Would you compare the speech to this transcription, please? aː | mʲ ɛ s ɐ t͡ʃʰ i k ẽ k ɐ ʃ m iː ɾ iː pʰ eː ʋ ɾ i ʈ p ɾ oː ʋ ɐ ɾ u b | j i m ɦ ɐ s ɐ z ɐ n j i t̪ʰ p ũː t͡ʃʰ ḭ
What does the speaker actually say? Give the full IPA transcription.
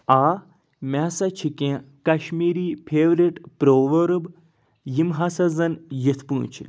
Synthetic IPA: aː | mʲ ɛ s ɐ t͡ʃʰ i k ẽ k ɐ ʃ m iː ɾ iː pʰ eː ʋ ɾ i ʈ p ɾ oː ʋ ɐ ɾ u b | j i m ɦ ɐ s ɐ z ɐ n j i t̪ʰ p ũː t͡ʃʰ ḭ